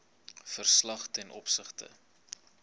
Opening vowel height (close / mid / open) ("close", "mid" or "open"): mid